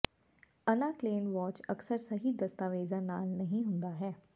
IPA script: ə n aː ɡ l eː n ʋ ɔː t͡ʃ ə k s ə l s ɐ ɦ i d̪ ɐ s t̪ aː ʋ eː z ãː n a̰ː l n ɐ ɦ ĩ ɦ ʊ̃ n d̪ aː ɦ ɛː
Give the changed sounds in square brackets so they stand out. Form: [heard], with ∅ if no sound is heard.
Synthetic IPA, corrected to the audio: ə n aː [k] l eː n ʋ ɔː t͡ʃ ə k s ə [ɾ] s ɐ ɦ i d̪ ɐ s t̪ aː ʋ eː z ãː n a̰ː l n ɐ ɦ ĩ ɦ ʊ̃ n d̪ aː ɦ ɛː

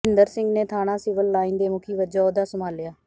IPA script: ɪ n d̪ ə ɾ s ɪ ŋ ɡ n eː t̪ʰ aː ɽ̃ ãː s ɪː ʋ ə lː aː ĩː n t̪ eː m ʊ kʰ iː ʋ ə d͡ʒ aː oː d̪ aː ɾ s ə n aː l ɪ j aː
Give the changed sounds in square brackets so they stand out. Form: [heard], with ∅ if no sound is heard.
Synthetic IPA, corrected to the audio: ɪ n d̪ ə ɾ s ɪ ŋ ɡ n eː t̪ʰ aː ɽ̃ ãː s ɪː ʋ ə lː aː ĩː n [d̪] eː m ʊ kʰ iː ʋ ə d͡ʒ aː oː d̪ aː [∅] s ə [m] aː l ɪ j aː

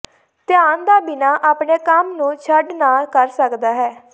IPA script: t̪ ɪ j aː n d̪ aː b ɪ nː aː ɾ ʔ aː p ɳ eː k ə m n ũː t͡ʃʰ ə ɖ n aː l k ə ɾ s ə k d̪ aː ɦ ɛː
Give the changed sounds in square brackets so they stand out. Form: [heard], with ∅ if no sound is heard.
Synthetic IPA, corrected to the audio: t̪ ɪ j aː n d̪ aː b ɪ [n] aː [∅] ʔ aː p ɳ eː k ə m n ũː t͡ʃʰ ə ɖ n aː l k ə ɾ s ə k d̪ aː ɦ ɛː

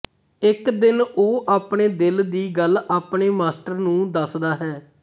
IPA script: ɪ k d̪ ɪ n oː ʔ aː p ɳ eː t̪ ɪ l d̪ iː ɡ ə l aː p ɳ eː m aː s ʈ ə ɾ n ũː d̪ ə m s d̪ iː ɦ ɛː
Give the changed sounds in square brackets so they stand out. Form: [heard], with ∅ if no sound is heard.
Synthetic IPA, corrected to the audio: ɪ k d̪ ɪ n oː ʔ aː p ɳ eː [d̪] ɪ l d̪ iː ɡ ə l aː p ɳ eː m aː s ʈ ə ɾ n ũː d̪ ə [∅] s d̪ [aː] ɦ ɛː

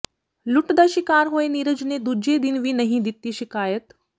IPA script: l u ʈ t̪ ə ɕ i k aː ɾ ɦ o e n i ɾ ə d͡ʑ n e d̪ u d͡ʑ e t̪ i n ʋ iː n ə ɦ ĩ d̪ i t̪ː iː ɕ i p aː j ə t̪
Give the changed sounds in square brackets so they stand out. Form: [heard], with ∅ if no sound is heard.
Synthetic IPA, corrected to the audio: l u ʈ [d̪] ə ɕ i k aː ɾ ɦ o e n i ɾ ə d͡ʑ n e d̪ u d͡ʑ e [d̪] i n ʋ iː n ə ɦ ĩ d̪ i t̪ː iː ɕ i [k] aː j ə t̪

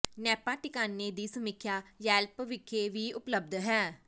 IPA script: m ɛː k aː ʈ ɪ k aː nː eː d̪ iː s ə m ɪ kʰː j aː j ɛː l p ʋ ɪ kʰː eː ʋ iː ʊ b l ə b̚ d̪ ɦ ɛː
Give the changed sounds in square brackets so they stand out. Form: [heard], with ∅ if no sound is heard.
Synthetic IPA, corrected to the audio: [n] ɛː [p] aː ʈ ɪ k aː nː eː d̪ iː s ə m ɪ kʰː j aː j ɛː l p ʋ ɪ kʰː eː ʋ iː ʊ [p] l ə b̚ d̪ ɦ ɛː

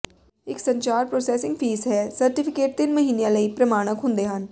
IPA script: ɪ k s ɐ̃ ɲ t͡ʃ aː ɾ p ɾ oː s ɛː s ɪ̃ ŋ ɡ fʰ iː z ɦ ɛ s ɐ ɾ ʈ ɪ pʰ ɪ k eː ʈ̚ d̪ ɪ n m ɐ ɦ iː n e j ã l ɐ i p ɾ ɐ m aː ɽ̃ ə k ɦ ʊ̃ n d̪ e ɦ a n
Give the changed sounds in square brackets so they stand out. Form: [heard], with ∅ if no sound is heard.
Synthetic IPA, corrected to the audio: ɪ k s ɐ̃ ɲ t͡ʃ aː ɾ p ɾ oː s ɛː s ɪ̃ ŋ ɡ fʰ iː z ɦ ɛ s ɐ ɾ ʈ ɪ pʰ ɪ k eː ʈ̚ [t̪] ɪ n m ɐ ɦ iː n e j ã l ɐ i p ɾ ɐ m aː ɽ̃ ə k ɦ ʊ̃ n d̪ e ɦ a n

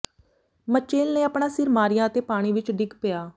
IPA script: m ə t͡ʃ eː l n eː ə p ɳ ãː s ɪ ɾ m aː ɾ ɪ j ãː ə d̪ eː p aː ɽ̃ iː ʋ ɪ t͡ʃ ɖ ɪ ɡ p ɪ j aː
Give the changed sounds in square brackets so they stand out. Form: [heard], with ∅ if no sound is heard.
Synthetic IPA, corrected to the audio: m ə t͡ʃ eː l n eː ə p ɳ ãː s ɪ ɾ m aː ɾ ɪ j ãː ə [t̪] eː p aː ɽ̃ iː ʋ ɪ t͡ʃ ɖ ɪ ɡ p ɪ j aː

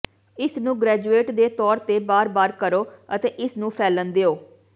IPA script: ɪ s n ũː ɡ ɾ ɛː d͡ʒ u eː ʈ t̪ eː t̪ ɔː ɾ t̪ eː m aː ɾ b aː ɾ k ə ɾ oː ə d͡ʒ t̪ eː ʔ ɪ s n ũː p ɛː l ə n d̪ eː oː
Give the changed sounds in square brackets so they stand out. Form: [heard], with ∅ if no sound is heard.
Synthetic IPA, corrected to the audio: ɪ s n ũː ɡ ɾ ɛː d͡ʒ u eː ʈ [d̪] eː t̪ ɔː ɾ t̪ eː [b] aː ɾ b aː ɾ k ə ɾ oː ə [∅] t̪ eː ʔ ɪ s n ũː [pʰ] ɛː l ə n d̪ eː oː

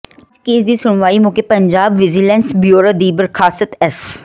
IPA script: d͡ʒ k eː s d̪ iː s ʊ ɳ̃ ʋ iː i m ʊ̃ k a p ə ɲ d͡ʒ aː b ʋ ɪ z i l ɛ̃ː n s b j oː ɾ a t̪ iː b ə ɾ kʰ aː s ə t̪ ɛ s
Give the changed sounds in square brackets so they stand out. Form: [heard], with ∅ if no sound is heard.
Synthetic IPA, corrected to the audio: d͡ʒ k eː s d̪ iː s ʊ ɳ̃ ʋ [aː] i m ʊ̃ k [e] p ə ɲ d͡ʒ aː b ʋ ɪ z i l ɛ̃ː n s b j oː ɾ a [d̪] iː b ə ɾ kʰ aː s ə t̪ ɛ s

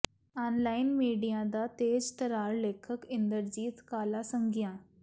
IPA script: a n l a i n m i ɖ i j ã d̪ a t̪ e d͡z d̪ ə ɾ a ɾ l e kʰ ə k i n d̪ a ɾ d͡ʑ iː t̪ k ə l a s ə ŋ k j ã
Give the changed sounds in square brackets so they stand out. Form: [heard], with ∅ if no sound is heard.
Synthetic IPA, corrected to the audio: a n l a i n m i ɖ i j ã d̪ a t̪ e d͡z [t̪] ə ɾ a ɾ l e kʰ ə k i n d̪ [ə] ɾ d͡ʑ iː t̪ k [a] l a s ə ŋ [ɡ] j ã

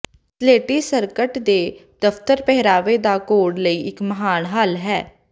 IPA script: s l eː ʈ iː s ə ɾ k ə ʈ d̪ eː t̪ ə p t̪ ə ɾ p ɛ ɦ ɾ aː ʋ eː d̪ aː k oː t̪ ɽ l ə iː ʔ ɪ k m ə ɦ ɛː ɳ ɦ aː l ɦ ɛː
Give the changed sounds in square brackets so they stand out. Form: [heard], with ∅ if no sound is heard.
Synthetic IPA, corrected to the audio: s l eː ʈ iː s ə ɾ k ə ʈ d̪ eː [d̪] ə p t̪ ə ɾ p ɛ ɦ ɾ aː ʋ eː d̪ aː k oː [∅] ɽ l ə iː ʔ ɪ k m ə ɦ [aː] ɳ ɦ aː l ɦ ɛː

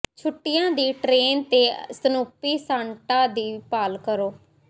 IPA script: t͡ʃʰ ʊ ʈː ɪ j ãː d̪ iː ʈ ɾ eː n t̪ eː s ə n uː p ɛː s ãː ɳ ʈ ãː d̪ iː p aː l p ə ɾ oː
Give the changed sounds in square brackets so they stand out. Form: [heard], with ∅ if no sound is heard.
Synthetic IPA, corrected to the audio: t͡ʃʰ ʊ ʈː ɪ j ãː d̪ iː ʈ ɾ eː n t̪ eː s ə n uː p [iː] s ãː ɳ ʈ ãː d̪ iː p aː l [k] ə ɾ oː

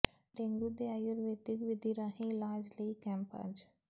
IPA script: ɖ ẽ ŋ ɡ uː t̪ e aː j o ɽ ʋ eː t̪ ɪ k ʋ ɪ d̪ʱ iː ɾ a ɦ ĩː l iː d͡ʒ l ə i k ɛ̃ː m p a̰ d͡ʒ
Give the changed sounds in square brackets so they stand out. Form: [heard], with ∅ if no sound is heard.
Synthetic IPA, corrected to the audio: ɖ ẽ ŋ ɡ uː [d̪] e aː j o [ɾ] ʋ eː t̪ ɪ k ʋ ɪ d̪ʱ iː ɾ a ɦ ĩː l [aː] d͡ʒ l ə i k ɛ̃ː m p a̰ d͡ʒ

